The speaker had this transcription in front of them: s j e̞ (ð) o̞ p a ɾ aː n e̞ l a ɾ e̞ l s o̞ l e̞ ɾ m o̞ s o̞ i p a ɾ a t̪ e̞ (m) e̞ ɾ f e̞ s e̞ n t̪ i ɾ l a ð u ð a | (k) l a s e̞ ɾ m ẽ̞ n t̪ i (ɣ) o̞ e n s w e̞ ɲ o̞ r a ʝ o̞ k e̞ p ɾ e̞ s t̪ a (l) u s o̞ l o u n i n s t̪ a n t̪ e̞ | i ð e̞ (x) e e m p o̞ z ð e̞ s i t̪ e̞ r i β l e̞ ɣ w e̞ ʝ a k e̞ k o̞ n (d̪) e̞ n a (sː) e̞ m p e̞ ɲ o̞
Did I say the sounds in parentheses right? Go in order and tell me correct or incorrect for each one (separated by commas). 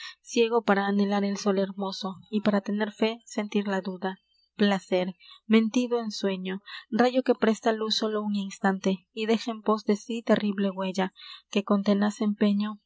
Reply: incorrect, incorrect, incorrect, incorrect, correct, correct, incorrect, incorrect